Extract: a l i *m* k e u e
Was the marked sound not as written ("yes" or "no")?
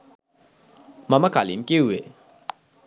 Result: no